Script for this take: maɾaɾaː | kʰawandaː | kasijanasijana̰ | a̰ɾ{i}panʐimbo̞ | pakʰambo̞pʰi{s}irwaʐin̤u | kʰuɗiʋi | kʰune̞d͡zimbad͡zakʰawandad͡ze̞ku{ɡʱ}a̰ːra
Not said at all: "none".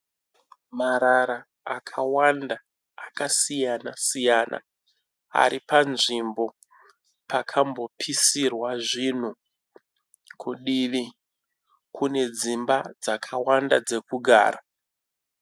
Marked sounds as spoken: i, s, ɡʱ

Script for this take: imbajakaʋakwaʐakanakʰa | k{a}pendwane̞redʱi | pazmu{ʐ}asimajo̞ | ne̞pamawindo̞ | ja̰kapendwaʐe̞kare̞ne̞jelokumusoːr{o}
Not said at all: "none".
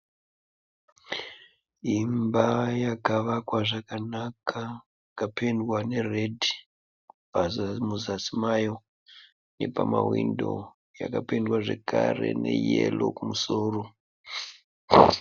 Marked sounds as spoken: a, z, o

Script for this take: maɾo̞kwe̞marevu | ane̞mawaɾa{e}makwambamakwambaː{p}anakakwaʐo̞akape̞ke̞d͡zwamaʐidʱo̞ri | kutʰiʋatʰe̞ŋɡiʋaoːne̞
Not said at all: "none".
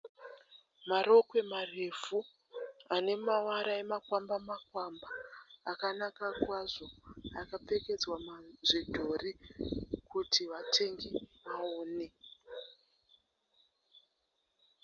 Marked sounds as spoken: e, k

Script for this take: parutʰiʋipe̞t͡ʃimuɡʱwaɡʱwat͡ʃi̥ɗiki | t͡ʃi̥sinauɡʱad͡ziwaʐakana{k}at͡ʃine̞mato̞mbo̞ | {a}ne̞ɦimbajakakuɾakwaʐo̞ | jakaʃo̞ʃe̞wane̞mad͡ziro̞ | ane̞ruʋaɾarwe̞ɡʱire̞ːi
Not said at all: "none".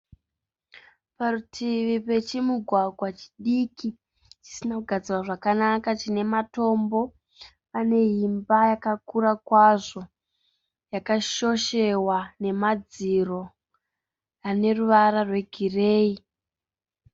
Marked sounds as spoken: k, a

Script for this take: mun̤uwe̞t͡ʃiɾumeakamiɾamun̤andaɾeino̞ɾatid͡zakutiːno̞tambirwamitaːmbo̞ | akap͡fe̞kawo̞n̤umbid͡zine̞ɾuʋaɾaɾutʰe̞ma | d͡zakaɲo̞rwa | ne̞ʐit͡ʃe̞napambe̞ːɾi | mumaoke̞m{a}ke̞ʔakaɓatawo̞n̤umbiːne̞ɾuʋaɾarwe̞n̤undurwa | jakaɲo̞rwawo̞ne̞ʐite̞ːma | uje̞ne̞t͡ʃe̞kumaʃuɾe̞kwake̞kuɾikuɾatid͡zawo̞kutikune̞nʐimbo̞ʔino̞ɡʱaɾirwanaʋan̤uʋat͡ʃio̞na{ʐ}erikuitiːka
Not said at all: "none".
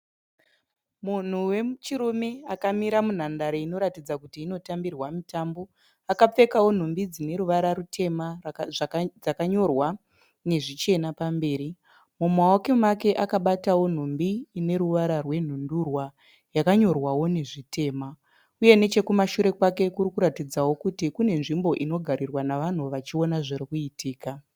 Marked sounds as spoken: a, ʐ

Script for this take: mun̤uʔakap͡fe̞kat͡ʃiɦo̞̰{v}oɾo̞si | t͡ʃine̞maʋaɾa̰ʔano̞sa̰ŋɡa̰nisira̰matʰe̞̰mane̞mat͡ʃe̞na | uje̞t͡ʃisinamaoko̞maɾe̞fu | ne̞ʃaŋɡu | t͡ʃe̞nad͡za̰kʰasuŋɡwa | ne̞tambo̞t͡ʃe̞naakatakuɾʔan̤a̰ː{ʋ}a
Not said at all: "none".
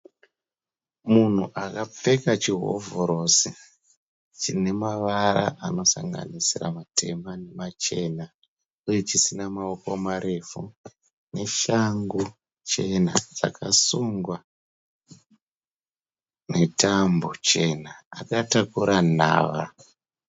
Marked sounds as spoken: v, ʋ

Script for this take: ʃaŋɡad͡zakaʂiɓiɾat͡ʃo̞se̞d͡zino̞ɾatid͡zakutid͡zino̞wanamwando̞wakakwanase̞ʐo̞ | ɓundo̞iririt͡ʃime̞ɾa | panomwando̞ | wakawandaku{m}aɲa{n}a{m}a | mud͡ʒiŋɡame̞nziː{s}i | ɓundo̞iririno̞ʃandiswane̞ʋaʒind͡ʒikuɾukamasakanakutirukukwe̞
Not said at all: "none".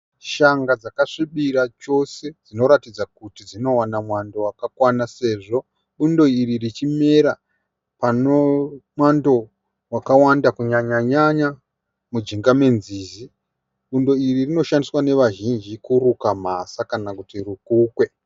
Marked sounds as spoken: ɲ, ɲ, ɲ, z

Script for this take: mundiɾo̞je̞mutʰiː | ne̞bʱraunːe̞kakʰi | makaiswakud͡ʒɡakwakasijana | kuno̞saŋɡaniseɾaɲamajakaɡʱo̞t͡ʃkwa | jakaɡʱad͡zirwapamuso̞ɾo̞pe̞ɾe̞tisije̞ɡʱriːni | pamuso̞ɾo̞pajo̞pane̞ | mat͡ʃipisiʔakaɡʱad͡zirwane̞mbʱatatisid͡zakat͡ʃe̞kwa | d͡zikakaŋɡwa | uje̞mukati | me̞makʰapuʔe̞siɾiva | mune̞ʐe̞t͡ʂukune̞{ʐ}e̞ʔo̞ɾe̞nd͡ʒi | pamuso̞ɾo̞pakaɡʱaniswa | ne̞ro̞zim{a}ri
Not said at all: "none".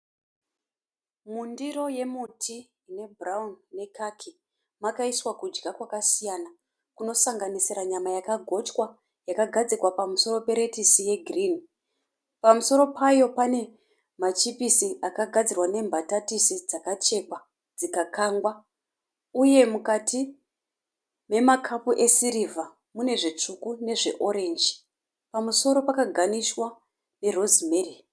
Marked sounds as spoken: ʐ, e

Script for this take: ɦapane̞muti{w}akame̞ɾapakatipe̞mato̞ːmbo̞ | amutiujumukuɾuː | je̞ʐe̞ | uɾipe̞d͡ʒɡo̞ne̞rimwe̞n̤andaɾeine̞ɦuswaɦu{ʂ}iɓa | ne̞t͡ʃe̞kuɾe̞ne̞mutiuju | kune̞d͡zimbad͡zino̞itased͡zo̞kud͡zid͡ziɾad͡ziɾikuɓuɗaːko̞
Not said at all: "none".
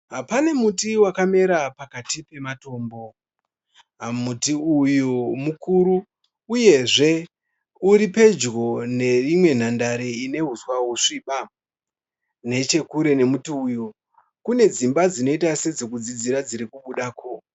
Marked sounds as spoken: w, ʂ

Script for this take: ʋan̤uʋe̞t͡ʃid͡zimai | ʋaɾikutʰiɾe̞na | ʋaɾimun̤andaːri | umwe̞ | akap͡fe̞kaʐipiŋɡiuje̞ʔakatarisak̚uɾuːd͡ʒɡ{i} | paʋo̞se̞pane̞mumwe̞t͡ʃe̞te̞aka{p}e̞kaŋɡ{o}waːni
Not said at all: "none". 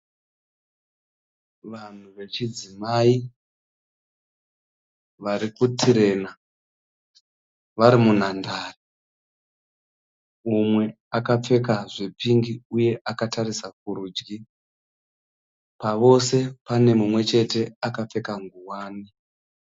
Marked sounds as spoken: i, p͡f, u

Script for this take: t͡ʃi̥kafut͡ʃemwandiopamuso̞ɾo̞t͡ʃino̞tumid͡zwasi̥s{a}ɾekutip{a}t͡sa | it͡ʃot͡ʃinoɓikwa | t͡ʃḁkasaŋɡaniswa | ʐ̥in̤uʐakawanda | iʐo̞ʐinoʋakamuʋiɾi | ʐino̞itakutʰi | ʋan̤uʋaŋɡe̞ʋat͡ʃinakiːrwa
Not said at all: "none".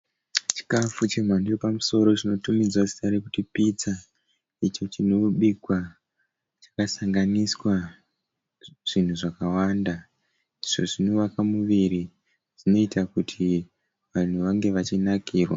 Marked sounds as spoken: a, i

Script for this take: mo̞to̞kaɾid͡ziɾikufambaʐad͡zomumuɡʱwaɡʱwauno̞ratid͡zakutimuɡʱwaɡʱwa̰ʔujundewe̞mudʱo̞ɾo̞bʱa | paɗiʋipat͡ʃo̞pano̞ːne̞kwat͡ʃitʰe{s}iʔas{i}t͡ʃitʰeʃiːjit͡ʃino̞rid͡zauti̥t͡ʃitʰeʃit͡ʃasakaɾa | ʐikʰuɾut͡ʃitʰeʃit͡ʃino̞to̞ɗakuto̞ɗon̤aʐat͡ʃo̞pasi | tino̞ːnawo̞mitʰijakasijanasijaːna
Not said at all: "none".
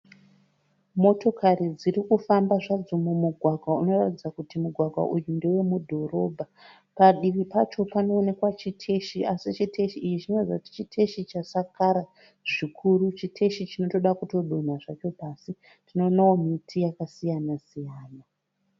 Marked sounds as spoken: ʃ, i

